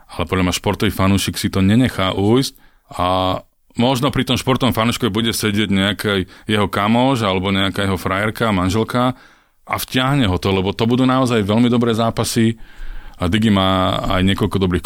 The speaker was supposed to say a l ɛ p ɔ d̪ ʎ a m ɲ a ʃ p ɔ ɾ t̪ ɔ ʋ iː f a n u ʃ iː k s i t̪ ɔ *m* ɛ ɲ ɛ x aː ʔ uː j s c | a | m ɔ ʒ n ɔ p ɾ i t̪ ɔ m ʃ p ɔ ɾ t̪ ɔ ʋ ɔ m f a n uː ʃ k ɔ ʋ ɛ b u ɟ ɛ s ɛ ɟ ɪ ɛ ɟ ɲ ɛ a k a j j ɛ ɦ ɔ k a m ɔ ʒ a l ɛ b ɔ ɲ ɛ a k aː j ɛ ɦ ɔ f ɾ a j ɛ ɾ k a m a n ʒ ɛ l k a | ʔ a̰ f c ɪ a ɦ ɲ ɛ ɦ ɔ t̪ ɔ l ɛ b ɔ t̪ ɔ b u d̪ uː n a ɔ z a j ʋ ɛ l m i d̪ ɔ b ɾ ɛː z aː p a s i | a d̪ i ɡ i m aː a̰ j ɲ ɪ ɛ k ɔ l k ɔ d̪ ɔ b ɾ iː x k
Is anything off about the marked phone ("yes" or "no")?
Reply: yes